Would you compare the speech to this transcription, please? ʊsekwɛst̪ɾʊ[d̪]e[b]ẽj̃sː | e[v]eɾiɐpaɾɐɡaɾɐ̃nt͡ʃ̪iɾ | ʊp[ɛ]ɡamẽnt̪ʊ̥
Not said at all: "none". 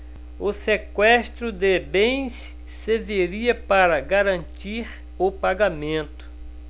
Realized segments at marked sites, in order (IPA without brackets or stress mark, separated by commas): d̪, b, v, a